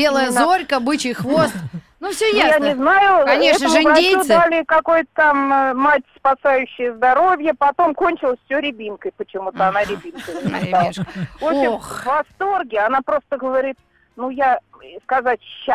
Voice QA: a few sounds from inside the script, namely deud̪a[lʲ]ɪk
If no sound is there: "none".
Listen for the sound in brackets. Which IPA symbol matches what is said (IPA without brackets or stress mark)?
lʲ